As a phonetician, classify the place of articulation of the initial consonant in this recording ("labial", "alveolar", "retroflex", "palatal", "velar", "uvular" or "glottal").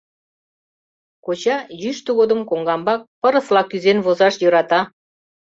velar